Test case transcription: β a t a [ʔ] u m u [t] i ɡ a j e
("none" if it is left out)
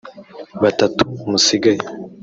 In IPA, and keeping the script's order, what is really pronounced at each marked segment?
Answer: t, s

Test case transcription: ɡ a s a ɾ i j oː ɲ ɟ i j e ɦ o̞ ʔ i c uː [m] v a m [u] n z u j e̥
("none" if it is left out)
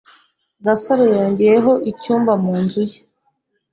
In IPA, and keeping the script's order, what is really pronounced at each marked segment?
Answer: m, uː

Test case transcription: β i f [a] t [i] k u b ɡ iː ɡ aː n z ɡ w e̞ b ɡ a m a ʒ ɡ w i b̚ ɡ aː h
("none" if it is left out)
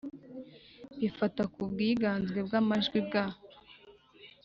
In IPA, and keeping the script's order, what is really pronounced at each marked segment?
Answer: a, a

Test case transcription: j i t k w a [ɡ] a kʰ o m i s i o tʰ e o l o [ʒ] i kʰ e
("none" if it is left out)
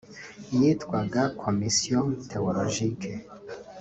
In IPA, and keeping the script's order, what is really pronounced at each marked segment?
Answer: ɡ, ʒ

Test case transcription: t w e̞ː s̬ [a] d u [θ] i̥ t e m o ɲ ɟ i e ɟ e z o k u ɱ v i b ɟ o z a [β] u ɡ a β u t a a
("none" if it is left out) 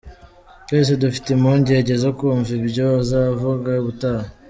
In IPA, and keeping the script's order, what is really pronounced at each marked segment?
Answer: e, f, v

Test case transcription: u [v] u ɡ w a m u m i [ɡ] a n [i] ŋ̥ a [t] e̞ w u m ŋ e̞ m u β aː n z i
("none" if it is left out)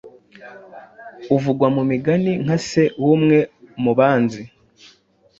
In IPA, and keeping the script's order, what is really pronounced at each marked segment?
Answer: v, ɡ, i, s

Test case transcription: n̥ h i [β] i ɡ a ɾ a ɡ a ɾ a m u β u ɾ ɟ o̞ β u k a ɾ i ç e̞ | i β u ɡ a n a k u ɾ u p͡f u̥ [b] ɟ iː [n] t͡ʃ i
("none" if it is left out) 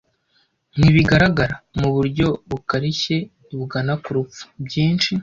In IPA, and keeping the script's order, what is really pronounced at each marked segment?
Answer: β, b, n

